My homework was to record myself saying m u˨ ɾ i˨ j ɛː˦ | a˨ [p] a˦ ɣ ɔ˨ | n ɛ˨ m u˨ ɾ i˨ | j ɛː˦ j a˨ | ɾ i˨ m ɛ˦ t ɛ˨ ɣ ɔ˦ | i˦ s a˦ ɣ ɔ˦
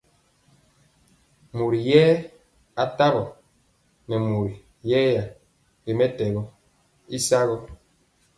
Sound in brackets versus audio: incorrect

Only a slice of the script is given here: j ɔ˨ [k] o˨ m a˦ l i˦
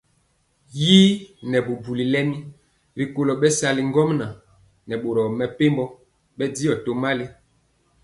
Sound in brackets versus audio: incorrect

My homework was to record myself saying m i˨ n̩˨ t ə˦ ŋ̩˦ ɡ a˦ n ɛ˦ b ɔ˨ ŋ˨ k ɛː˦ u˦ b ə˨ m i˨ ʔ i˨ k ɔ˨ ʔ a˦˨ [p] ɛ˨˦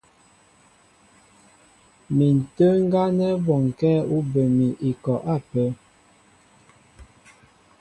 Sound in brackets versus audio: correct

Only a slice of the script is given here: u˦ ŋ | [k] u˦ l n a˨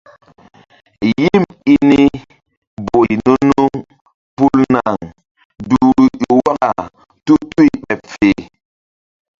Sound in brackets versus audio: incorrect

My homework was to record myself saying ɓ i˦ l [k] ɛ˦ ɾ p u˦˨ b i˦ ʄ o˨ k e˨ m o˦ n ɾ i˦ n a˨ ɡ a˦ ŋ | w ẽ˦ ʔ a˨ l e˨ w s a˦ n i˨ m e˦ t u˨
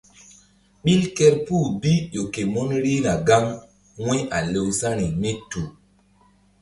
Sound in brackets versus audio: correct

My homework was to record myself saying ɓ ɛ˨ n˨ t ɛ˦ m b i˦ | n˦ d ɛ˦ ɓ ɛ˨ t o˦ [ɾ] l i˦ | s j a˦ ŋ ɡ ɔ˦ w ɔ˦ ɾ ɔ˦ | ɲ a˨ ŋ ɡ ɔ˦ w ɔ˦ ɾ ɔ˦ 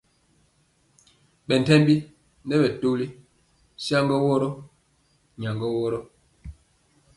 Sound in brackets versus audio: incorrect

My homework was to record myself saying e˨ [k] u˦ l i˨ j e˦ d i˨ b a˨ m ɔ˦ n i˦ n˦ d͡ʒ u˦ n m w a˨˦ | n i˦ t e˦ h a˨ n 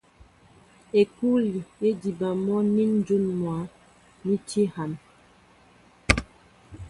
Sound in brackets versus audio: correct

